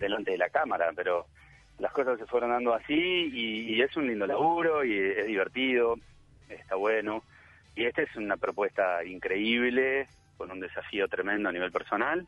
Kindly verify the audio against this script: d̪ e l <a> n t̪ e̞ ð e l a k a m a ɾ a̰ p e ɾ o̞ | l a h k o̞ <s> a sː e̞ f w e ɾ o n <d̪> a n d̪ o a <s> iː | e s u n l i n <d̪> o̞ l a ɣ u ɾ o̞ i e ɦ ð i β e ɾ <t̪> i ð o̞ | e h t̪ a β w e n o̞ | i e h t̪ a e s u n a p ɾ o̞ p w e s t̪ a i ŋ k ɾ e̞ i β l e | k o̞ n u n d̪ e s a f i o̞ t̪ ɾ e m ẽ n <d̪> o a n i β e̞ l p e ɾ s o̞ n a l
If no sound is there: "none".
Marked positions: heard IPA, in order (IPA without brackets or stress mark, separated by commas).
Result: a, s, d̪, s, d̪, t̪, d̪